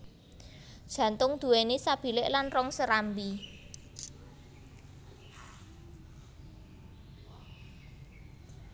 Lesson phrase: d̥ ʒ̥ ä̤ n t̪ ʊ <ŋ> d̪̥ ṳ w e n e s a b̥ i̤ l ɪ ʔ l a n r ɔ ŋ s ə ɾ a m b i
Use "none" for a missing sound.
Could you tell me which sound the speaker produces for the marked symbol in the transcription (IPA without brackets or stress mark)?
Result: ŋ